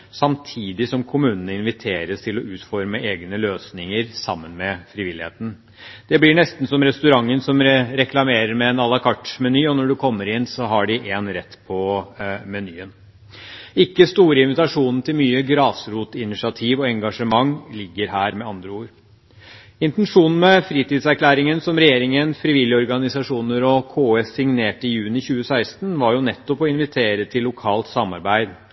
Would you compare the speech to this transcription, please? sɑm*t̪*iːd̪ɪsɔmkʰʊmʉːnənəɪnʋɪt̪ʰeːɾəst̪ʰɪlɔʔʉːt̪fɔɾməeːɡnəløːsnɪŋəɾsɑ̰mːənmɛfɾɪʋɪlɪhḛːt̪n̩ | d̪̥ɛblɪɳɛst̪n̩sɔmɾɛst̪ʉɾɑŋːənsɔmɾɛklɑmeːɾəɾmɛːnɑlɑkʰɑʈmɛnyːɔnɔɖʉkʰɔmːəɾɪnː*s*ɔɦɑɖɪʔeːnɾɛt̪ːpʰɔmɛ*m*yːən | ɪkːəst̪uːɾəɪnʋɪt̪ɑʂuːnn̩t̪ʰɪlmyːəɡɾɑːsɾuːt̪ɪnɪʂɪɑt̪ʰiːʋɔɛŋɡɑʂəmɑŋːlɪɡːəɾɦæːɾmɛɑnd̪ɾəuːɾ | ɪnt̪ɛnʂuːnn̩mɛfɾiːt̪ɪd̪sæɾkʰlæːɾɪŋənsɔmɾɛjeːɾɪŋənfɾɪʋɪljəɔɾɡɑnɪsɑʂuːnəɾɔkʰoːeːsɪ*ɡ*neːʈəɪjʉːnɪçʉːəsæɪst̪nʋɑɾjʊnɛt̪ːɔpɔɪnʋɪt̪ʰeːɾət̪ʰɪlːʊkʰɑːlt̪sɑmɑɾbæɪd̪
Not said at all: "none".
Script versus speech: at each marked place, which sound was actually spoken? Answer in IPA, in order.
t̪ʰ, s, n, ŋ

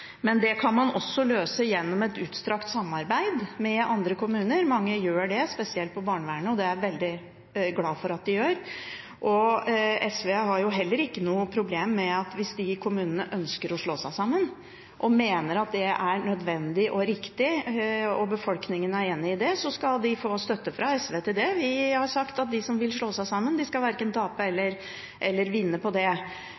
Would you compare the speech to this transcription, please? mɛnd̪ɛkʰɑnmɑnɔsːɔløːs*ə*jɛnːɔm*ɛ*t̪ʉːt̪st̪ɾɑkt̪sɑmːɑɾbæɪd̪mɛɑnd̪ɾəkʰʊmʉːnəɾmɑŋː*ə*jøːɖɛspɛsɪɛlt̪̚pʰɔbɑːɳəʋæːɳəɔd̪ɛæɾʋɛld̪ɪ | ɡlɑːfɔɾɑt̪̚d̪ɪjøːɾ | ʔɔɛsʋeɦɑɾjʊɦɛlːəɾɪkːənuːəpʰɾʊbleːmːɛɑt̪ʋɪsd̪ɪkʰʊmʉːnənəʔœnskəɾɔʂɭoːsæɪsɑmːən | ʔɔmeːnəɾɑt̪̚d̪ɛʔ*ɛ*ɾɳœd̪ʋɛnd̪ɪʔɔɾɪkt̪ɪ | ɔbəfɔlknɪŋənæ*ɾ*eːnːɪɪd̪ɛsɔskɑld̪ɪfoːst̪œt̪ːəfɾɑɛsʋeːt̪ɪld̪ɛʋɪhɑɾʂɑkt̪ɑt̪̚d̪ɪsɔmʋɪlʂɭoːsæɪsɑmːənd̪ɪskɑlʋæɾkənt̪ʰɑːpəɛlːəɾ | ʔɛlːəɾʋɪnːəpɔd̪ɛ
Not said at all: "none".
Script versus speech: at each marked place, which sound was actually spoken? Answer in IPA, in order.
ə, ɛ, ə, æ, ɾ

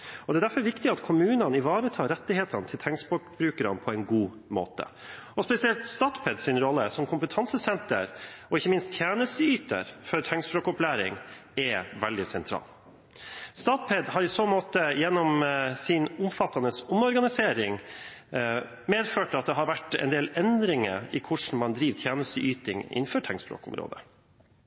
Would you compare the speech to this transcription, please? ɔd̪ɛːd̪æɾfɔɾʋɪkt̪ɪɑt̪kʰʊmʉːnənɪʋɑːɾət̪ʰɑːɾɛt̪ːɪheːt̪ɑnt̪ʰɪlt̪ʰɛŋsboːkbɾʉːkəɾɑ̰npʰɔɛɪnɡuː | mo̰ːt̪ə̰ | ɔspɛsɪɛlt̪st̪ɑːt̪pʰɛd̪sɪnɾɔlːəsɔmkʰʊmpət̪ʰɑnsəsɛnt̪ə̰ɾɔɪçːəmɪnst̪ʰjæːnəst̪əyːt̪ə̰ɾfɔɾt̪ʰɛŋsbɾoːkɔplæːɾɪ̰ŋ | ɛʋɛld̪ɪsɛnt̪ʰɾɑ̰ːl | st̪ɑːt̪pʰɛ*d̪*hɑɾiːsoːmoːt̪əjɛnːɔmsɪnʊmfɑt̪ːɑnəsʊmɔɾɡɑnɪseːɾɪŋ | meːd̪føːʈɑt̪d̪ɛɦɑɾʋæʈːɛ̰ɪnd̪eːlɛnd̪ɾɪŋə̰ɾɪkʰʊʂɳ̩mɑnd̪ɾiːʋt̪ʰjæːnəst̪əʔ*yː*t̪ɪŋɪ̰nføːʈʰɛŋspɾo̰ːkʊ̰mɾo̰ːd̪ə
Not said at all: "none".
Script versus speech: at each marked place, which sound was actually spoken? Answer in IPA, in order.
d̪, yː

